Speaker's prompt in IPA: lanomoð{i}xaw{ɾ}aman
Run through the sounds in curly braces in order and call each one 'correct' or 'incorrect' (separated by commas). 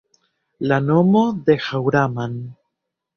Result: incorrect, correct